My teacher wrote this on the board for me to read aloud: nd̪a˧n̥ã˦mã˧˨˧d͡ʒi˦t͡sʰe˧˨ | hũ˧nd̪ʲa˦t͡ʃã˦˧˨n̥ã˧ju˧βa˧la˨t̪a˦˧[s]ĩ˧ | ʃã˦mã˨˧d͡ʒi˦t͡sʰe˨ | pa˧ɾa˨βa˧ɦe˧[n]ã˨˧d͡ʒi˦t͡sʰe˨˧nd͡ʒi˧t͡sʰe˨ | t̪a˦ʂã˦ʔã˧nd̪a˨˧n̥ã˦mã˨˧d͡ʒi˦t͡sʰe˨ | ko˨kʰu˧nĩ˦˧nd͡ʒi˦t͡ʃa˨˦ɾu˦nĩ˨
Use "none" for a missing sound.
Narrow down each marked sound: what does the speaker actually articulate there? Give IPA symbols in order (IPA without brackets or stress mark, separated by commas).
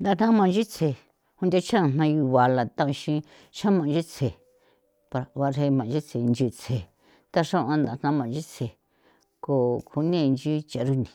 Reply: ʃ, m